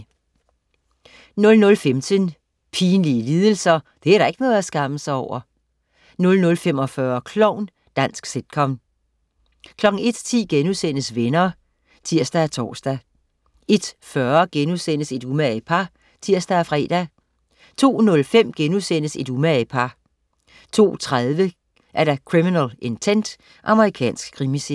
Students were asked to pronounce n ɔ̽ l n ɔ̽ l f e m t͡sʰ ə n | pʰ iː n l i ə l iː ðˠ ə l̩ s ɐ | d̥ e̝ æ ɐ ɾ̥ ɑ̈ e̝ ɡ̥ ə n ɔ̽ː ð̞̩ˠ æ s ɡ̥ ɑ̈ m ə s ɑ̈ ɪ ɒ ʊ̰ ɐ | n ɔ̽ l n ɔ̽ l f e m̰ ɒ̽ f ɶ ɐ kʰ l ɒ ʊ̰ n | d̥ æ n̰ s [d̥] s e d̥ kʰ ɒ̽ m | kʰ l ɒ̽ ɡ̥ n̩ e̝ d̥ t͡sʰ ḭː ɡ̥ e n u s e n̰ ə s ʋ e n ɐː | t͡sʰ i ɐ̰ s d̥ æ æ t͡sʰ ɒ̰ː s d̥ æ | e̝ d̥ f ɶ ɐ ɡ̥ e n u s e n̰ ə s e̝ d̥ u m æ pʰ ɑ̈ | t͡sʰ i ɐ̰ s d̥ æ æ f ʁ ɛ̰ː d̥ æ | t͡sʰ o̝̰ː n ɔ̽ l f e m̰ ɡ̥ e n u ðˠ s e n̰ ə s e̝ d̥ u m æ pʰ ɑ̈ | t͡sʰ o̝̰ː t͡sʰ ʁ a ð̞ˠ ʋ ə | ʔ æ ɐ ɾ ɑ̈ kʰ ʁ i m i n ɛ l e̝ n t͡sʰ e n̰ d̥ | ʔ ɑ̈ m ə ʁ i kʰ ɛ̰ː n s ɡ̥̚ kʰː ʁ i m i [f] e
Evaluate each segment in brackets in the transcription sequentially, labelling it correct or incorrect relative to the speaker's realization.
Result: incorrect, incorrect

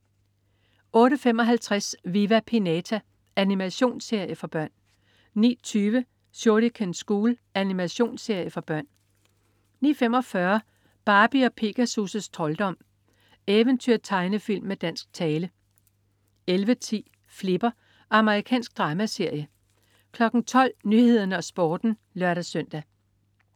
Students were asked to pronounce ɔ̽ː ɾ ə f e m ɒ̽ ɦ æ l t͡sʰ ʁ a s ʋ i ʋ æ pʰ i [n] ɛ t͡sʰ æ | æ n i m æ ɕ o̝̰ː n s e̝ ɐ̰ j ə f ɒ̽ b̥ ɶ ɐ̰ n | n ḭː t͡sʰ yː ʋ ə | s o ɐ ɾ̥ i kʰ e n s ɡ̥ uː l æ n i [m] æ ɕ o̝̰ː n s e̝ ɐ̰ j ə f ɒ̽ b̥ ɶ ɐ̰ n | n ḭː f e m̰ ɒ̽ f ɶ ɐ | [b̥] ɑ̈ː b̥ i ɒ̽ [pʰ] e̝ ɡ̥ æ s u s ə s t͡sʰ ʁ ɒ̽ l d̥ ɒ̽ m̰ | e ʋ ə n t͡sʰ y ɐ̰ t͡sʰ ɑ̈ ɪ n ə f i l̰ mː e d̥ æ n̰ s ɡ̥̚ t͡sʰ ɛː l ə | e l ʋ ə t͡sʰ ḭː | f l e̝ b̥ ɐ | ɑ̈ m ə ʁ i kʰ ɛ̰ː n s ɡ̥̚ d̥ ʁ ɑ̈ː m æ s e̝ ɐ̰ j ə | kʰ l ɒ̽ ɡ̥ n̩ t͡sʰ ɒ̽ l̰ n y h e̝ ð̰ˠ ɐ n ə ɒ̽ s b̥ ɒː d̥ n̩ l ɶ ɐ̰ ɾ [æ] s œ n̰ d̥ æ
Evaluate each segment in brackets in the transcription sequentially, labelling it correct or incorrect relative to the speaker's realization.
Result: correct, correct, correct, correct, correct

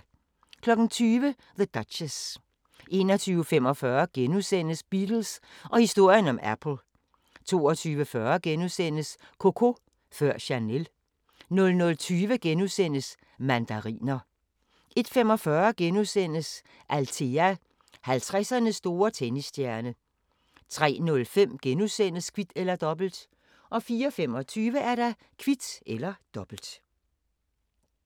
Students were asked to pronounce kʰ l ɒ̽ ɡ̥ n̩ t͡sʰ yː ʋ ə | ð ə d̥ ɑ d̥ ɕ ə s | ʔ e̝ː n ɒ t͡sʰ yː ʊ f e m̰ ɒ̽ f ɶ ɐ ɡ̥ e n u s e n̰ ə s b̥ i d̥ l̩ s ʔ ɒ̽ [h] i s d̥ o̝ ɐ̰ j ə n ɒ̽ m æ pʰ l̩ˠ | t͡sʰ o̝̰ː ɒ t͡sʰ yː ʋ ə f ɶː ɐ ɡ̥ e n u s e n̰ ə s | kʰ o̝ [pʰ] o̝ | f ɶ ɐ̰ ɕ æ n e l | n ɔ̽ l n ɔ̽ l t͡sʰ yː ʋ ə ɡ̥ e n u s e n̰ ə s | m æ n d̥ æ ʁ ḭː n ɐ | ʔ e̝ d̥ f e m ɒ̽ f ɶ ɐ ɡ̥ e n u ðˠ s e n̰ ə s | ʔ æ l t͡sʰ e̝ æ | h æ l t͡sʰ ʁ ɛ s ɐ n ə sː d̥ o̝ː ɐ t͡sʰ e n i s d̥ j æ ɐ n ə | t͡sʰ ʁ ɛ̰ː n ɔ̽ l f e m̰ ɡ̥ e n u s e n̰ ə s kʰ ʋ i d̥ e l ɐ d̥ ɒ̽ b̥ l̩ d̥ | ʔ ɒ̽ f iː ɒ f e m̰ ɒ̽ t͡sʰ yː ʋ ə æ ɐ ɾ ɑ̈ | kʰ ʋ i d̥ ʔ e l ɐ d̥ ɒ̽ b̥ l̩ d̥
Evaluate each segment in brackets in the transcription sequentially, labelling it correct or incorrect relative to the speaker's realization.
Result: correct, incorrect

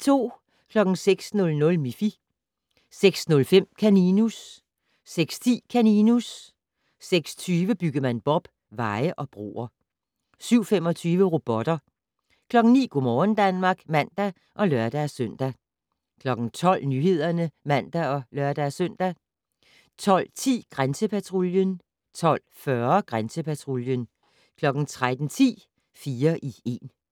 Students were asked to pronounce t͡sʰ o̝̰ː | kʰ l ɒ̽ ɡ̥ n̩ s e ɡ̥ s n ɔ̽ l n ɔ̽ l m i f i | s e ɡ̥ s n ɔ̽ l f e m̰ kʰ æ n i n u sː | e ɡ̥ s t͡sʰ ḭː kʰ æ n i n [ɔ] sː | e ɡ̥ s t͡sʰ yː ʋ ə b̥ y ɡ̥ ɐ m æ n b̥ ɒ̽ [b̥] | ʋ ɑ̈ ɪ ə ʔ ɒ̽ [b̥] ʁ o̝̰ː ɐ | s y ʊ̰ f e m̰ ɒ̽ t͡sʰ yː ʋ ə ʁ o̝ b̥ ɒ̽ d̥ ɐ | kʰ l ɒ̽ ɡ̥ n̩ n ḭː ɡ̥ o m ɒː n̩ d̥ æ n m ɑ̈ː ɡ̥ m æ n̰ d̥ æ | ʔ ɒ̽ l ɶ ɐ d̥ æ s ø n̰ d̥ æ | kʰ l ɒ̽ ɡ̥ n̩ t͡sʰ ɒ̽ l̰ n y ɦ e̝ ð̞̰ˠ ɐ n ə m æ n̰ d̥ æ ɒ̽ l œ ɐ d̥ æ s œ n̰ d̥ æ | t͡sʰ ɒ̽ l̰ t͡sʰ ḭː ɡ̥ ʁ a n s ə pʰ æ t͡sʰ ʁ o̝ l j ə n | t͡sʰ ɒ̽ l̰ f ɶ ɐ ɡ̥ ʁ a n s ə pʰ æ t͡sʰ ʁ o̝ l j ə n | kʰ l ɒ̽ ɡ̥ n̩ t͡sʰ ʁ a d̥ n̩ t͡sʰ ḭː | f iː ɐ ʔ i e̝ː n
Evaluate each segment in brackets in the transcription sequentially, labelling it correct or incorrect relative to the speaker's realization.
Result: incorrect, correct, correct

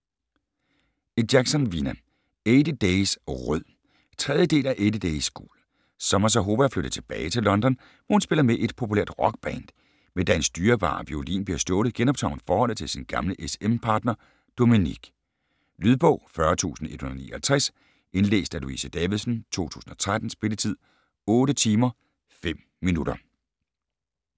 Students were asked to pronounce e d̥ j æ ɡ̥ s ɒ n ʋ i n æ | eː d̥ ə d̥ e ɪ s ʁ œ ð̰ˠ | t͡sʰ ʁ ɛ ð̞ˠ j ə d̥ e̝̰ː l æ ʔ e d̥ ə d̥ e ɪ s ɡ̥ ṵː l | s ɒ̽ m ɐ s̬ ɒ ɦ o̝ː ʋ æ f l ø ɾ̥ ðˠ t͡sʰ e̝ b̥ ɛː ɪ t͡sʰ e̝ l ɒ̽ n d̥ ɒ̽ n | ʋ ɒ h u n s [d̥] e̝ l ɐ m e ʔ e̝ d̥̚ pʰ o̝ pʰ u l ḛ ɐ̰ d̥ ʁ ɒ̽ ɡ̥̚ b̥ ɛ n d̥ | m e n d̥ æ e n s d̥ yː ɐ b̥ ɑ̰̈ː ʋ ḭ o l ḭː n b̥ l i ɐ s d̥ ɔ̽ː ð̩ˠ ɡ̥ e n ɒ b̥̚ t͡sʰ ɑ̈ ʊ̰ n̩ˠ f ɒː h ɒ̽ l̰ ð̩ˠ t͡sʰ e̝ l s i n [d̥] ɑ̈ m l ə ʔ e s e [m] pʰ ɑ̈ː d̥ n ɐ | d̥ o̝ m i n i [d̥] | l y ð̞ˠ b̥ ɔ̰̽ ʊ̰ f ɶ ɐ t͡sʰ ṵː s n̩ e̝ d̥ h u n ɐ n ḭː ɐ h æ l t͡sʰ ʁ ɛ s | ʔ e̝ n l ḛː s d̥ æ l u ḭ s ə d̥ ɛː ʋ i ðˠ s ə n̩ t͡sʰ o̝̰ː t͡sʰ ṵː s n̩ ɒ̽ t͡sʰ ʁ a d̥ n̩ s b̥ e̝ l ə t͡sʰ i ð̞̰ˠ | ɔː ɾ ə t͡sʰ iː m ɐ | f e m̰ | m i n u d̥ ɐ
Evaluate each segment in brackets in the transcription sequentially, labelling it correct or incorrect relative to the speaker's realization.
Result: incorrect, incorrect, correct, incorrect

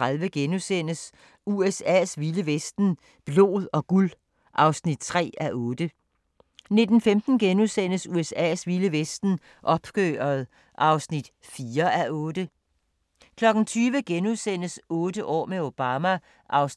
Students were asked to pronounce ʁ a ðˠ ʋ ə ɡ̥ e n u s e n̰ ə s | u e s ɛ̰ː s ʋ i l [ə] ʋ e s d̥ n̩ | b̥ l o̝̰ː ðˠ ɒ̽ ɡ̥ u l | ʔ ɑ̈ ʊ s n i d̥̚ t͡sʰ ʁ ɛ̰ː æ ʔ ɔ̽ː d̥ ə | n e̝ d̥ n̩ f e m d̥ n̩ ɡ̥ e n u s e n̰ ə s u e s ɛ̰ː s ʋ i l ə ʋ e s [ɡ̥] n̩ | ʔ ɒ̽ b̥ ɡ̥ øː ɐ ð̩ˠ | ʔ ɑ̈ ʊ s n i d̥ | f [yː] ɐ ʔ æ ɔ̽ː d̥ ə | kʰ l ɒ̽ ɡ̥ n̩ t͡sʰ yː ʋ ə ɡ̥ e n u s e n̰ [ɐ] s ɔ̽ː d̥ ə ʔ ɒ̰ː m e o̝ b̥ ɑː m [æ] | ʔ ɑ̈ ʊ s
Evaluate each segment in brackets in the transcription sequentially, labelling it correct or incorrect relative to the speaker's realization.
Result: correct, incorrect, incorrect, incorrect, correct

